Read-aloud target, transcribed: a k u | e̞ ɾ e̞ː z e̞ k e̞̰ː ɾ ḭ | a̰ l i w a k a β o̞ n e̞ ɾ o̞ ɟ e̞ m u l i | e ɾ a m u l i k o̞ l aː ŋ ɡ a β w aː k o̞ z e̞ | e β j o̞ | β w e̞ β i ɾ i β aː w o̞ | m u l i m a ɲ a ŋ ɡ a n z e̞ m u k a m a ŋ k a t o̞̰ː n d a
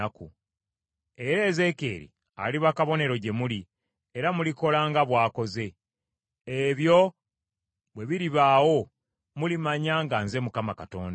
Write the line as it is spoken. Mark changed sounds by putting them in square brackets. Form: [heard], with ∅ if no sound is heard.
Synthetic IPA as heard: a k u | e̞ ɾ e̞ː z e̞ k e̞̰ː ɾ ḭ | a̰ l i [β] a k a β o̞ n e̞ ɾ o̞ ɟ e̞ m u l i | e ɾ a m u l i k o̞ l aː ŋ ɡ a β w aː k o̞ z e̞ | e β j o̞ | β w e̞ β i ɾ i β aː w o̞ | m u l i m a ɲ a ŋ ɡ a n z e̞ m u k a m a [∅] k a t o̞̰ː n d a